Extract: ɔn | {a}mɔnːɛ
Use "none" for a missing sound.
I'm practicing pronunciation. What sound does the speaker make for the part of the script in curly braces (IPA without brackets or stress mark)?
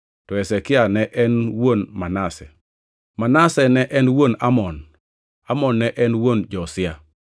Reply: a